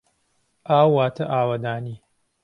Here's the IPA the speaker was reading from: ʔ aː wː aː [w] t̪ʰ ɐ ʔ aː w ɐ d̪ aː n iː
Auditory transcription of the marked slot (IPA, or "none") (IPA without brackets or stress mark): none